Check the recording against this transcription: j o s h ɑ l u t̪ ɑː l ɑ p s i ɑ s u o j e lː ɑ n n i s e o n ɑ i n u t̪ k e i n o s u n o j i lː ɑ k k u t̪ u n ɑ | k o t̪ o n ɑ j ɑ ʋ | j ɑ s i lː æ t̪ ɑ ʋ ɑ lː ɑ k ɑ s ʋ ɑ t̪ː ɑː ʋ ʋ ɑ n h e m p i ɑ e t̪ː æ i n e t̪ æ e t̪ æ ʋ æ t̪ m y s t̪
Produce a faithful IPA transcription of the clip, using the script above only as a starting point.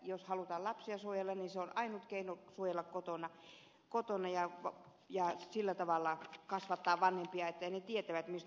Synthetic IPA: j o s h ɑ l u t̪ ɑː l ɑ p s i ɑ s u o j e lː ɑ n n i s e o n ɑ i n u t̪ k e i n o s u o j e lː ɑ k k o t̪ o n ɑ | k o t̪ o n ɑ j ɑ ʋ | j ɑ s i lː æ t̪ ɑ ʋ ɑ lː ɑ k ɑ s ʋ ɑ t̪ː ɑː ʋ ʋ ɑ n h e m p i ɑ e t̪ː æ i n e t̪ i e t̪ æ ʋ æ t̪ m i s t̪